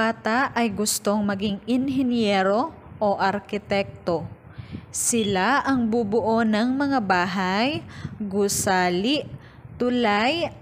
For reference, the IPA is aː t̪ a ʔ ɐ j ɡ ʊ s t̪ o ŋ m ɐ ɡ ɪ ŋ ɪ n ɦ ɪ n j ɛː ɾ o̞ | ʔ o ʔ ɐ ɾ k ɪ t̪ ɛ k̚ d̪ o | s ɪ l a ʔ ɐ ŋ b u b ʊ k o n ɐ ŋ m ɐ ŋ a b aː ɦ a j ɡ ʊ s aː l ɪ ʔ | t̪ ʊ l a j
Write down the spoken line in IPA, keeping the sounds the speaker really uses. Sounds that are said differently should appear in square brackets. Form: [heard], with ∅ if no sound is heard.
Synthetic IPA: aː t̪ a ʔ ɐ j ɡ ʊ s t̪ o ŋ m ɐ ɡ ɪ ŋ ɪ n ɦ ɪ n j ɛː ɾ o̞ | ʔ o ʔ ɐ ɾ k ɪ t̪ ɛ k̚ [t̪] o | s ɪ l a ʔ ɐ ŋ b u b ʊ [ʔ] o n ɐ ŋ m ɐ ŋ a b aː ɦ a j ɡ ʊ s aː l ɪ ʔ | t̪ ʊ l a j